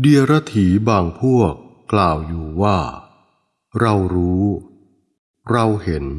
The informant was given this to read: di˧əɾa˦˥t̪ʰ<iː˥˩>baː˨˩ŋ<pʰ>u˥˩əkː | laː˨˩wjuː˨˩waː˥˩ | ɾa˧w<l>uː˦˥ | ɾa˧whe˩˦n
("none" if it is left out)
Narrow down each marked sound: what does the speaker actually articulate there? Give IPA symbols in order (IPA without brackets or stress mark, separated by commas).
iː˩˦, pʰ, ɾ